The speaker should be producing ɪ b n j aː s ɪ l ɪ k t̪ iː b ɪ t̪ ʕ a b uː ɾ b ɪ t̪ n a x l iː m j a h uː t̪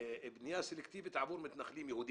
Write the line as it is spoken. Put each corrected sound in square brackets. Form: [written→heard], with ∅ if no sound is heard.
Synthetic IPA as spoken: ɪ b n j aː s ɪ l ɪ k t̪ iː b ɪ t̪ ʕ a b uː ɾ [b→m] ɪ t̪ n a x l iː m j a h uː [t̪→d̪]